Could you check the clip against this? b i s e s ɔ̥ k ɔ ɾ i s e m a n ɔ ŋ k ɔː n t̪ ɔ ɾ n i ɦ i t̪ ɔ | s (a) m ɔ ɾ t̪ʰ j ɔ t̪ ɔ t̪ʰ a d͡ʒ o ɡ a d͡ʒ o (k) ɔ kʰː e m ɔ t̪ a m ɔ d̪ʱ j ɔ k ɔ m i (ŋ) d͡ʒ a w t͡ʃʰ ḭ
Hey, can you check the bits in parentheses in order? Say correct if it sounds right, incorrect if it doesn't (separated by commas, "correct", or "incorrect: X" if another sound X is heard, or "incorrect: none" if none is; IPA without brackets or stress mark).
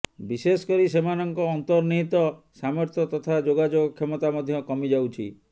correct, incorrect: ɡ, incorrect: none